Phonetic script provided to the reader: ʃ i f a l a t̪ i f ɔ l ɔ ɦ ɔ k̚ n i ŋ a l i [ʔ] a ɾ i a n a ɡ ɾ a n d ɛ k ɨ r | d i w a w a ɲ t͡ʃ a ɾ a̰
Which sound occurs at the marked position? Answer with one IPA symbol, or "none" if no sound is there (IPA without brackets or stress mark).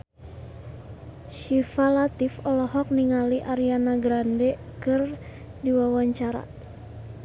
ʔ